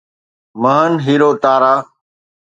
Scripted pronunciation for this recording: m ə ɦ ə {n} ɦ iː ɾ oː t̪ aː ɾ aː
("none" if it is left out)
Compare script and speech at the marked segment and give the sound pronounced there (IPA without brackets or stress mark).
n